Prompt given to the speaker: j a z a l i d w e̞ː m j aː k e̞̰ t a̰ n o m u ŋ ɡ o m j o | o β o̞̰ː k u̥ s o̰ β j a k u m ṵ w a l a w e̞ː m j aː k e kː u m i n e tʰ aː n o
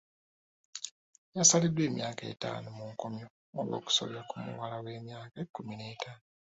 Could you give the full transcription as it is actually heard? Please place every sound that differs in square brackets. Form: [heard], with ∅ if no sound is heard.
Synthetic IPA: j a [s] a l i d w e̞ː m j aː k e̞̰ t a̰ n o m u ŋ [k] o m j o | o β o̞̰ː k u̥ s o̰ β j a k u m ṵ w a l a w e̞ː m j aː k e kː u m i n e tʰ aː n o